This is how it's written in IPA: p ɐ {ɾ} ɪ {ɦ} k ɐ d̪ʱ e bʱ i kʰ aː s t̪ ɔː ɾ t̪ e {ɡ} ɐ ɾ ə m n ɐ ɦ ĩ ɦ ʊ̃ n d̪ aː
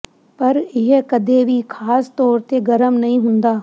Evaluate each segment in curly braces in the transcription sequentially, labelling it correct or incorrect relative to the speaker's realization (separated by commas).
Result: correct, correct, correct